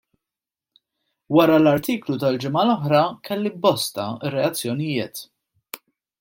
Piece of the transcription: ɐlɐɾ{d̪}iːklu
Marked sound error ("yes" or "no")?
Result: yes